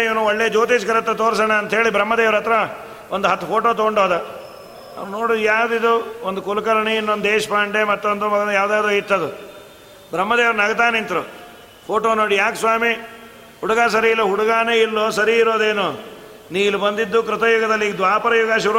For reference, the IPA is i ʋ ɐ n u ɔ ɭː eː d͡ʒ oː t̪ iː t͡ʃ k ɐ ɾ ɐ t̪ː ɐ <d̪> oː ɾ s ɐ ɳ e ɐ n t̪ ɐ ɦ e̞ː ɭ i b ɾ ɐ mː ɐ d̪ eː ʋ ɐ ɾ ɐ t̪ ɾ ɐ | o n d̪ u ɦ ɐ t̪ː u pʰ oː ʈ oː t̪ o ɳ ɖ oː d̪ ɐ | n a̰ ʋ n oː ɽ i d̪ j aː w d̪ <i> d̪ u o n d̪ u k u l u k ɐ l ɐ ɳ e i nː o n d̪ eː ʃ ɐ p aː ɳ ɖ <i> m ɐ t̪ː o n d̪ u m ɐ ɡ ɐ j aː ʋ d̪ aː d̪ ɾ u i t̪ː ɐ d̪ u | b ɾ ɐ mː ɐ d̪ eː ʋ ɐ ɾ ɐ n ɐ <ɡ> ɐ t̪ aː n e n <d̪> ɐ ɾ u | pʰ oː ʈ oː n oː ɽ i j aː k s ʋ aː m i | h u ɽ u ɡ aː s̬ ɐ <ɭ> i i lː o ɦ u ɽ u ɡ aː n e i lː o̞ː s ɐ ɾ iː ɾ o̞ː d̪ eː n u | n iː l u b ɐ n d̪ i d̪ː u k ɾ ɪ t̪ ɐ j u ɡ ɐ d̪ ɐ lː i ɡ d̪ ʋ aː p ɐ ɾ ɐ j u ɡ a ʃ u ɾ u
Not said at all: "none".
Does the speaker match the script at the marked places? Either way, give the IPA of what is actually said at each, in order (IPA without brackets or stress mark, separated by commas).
t̪, i, e, ɡ, t̪, ɾ